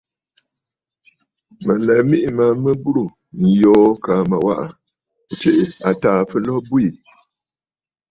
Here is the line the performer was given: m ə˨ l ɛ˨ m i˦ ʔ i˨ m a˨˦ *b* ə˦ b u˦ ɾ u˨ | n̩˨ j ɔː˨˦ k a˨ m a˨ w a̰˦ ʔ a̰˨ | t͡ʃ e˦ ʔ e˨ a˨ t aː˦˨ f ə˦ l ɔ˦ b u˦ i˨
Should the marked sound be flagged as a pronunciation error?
yes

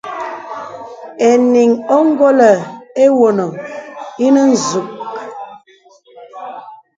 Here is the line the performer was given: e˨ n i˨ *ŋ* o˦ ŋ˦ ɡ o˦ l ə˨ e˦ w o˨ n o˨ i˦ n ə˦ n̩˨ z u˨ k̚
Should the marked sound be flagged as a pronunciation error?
no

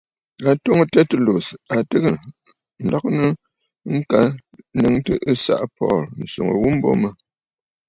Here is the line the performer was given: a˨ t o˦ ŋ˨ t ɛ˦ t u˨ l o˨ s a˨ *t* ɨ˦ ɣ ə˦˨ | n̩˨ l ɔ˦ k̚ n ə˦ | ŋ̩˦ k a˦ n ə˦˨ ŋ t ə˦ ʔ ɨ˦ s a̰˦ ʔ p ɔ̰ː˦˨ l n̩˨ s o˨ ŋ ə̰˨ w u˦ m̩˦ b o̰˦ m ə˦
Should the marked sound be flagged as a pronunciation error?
no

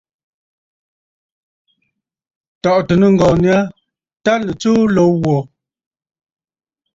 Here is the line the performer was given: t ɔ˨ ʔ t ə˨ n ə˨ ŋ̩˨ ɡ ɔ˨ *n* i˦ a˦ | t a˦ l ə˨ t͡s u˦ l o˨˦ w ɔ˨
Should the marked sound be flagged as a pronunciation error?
no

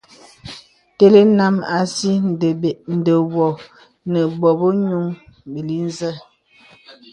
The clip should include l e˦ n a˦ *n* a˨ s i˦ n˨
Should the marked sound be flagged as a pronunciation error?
yes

